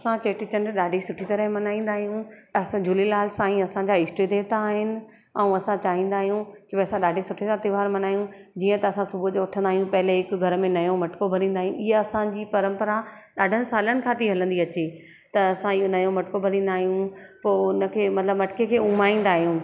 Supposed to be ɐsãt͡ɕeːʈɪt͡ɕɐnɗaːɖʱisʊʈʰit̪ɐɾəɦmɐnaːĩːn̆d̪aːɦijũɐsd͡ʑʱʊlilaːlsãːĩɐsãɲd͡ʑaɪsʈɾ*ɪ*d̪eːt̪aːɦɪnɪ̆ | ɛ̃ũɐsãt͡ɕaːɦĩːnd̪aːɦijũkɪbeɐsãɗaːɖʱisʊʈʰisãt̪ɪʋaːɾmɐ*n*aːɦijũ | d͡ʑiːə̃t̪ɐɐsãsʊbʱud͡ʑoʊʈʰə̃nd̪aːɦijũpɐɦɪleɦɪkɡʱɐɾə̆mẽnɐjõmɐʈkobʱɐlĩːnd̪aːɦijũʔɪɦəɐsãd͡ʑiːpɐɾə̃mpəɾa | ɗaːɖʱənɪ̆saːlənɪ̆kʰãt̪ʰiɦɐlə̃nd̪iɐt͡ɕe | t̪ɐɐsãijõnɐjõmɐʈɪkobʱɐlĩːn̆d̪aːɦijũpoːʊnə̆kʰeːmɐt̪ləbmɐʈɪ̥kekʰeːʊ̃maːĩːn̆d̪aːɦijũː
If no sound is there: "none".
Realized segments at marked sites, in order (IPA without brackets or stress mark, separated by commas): i, n